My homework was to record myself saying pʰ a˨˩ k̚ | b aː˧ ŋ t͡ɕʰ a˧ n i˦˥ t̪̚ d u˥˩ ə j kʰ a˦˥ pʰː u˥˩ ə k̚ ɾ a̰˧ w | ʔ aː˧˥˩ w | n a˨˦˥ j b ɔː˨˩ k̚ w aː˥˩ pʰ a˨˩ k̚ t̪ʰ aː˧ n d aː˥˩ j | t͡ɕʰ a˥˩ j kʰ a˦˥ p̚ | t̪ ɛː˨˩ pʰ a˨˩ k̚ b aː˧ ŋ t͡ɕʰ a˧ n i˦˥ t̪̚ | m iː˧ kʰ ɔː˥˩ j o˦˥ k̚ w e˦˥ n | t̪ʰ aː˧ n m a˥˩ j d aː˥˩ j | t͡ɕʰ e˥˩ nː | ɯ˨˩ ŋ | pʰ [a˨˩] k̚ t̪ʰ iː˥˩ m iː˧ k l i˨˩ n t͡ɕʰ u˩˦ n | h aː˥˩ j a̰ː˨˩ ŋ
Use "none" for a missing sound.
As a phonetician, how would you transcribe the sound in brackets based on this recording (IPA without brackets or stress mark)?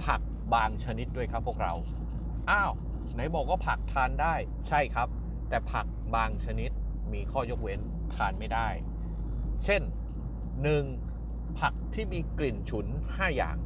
a˨˩